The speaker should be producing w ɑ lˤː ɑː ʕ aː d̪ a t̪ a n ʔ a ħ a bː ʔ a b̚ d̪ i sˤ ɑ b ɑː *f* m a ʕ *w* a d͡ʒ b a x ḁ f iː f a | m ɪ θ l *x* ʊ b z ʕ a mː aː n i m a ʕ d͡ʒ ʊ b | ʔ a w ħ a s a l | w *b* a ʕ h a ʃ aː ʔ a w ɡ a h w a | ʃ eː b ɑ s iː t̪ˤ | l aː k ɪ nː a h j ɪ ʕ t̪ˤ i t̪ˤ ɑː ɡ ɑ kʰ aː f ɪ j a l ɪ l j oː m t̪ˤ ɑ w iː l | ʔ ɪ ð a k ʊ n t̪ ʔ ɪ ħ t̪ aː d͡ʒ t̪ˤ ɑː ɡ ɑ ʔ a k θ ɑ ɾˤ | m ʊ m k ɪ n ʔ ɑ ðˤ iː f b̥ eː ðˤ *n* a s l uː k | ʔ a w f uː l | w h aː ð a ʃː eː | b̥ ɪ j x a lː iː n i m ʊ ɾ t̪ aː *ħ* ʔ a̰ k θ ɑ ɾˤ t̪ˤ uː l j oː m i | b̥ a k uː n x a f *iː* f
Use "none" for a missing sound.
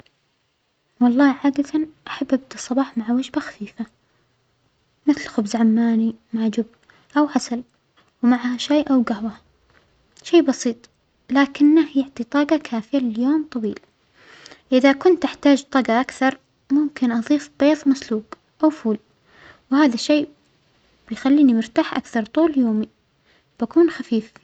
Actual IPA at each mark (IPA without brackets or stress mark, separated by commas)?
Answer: ħ, w, x, m, m, ħ, iː